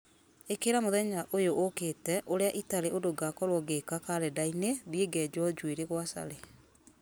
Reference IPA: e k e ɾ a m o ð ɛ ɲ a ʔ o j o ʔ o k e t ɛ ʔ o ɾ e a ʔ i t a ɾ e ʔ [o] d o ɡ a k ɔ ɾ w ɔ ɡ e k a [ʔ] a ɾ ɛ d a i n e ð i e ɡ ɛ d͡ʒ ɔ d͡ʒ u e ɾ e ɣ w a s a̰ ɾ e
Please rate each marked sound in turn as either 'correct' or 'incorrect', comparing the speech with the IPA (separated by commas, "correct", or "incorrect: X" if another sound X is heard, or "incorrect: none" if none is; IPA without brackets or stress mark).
correct, incorrect: k